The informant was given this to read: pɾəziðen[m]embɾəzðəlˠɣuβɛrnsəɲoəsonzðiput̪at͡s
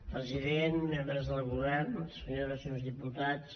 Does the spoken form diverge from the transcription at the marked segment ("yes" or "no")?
no